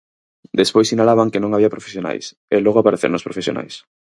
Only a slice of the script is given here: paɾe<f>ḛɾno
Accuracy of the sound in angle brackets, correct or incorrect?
incorrect